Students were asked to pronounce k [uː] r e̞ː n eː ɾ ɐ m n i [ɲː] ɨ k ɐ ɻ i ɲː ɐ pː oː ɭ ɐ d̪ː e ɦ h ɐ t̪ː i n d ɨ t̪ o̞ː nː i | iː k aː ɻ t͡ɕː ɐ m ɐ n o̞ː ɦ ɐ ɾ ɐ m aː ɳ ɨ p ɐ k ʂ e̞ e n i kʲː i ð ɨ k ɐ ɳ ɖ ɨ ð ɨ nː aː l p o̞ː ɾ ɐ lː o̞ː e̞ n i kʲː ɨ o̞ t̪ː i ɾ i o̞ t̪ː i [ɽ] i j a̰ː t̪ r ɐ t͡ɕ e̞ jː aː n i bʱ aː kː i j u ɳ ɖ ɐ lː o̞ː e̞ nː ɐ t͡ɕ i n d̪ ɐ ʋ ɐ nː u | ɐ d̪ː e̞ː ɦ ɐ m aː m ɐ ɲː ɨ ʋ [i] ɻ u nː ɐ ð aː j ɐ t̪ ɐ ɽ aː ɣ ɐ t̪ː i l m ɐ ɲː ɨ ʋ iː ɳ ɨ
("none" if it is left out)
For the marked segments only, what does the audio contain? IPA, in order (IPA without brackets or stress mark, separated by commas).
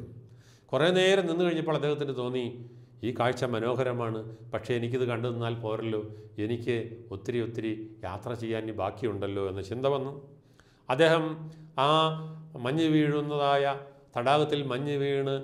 u, nː, ɾ, iː